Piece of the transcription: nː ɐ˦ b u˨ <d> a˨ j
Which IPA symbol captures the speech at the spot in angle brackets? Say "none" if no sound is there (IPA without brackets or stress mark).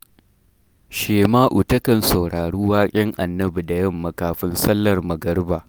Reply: d